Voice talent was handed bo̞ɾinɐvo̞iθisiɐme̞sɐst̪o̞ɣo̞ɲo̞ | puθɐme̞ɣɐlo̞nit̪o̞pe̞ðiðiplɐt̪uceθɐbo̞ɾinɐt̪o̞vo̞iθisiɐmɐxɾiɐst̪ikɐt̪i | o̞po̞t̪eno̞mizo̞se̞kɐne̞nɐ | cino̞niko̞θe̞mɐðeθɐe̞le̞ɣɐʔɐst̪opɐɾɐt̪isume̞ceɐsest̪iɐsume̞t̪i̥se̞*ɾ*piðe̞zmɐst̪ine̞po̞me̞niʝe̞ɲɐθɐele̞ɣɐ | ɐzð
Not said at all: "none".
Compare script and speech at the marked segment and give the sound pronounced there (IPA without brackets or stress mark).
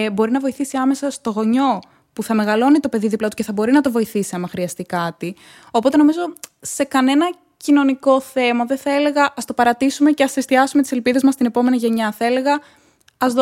l